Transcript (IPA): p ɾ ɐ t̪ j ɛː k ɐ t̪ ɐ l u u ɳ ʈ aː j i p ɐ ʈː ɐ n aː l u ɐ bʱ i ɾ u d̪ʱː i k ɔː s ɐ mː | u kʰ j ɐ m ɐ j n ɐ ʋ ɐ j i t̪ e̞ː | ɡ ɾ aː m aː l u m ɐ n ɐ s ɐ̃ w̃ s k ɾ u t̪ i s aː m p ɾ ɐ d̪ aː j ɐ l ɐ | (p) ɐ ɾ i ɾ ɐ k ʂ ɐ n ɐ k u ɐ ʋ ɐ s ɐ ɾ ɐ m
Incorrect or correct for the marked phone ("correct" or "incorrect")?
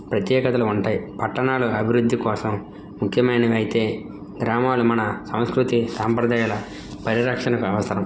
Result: correct